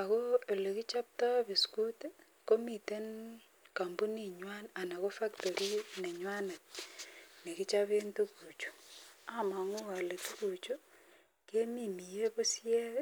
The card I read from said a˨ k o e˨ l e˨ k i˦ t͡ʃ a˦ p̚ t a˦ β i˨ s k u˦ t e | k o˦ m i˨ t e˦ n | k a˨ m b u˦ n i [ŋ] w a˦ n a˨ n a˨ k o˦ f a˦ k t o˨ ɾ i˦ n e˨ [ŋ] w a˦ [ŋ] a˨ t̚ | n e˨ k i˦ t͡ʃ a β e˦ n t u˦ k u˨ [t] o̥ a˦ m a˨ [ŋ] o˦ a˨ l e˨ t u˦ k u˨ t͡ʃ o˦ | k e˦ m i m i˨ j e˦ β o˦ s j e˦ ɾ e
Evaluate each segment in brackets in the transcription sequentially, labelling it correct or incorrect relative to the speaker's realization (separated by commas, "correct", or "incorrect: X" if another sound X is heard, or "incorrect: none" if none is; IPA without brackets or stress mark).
incorrect: ɲ, incorrect: ɲ, incorrect: n, incorrect: t͡ʃ, correct